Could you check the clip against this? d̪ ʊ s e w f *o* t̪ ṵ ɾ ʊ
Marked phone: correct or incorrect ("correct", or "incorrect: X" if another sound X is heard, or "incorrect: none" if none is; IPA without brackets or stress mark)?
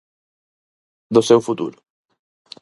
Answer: incorrect: u